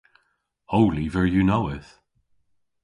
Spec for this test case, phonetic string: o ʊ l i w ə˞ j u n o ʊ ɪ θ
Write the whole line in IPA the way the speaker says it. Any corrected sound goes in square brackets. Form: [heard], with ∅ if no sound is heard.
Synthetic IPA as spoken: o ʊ l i [v] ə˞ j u n o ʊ ɪ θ